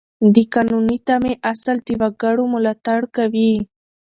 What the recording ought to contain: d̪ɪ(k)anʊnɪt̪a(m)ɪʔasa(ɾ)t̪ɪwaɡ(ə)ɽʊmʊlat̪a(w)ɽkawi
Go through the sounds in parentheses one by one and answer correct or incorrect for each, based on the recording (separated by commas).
correct, correct, incorrect, incorrect, incorrect